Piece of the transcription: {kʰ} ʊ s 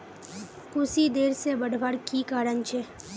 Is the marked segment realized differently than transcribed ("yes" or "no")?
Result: yes